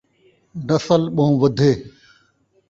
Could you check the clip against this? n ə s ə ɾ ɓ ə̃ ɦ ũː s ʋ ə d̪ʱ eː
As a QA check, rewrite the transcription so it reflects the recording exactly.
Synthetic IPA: n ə s ə l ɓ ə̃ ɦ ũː ʋ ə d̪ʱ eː